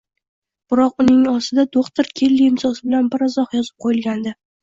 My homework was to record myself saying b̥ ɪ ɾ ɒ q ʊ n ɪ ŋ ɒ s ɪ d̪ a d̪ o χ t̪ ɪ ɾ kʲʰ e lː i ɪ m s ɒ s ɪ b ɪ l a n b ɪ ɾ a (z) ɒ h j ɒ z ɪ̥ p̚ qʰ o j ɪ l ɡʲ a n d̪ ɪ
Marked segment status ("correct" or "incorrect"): correct